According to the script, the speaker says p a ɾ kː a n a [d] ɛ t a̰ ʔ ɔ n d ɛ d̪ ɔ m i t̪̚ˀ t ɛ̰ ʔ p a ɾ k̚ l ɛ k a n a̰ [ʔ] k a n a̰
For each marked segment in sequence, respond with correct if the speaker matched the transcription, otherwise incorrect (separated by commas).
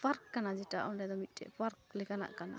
incorrect, correct